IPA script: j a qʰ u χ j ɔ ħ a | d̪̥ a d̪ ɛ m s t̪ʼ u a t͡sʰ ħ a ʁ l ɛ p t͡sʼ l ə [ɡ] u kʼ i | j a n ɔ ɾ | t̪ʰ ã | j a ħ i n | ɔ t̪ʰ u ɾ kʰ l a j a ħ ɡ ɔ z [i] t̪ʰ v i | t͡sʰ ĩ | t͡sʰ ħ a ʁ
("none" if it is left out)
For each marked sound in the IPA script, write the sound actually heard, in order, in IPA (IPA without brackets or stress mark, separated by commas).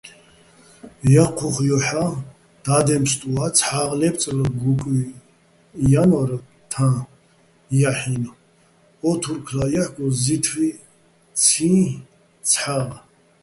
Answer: ɡ, i